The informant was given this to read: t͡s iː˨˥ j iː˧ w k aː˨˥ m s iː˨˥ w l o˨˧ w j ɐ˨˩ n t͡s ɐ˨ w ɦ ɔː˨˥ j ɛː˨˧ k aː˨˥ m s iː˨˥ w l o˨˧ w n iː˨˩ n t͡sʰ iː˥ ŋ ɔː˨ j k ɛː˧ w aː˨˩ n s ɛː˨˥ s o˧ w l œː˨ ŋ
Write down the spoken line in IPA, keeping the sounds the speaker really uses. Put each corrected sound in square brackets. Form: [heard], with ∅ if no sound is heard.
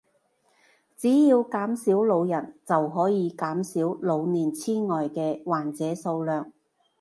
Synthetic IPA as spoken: t͡s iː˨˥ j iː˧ w k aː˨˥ m s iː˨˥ w l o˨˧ w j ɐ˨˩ n t͡s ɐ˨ w ɦ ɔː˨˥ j [iː˨˧] k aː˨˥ m s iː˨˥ w l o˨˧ w n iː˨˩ n t͡sʰ iː˥ ŋ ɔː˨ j k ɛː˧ w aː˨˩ n [t͡s] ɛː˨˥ s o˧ w l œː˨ ŋ